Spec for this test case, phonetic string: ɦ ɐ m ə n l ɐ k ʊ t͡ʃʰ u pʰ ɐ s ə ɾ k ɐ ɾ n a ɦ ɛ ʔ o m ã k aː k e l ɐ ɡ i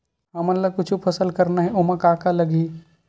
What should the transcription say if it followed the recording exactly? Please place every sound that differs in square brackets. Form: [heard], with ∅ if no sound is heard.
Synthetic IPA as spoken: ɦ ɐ m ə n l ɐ k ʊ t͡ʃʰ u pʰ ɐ s ə [l] k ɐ ɾ n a ɦ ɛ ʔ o m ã k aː k [a] l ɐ ɡ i